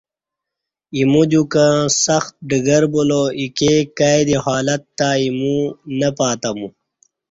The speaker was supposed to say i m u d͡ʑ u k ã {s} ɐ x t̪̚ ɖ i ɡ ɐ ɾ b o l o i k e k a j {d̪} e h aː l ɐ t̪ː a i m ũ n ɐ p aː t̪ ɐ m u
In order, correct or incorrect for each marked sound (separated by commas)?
correct, correct